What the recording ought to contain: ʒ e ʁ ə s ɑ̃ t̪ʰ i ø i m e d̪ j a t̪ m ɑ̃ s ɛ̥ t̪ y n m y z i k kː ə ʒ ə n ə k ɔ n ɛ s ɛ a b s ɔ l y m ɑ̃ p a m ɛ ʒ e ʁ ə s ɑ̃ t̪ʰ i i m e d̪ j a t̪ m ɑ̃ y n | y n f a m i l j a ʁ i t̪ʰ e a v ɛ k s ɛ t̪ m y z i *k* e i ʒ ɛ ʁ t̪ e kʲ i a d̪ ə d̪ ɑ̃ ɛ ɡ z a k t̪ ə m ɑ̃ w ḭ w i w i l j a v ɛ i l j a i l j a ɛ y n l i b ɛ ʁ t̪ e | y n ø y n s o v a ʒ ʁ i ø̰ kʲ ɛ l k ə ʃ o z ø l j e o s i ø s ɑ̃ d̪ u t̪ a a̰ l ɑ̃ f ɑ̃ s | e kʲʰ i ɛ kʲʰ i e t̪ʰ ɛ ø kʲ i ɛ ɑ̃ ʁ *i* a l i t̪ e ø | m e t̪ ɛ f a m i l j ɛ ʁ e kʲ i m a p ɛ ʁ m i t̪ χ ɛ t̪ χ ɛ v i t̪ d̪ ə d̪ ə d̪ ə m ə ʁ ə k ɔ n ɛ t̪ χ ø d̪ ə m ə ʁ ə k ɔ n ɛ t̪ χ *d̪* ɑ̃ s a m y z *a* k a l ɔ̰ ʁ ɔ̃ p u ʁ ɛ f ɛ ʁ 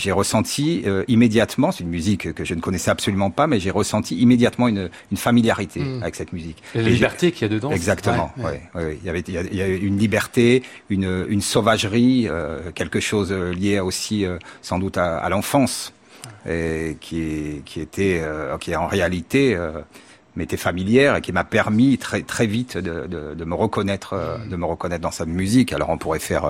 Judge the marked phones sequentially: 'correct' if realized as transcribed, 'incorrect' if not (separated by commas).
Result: correct, incorrect, correct, incorrect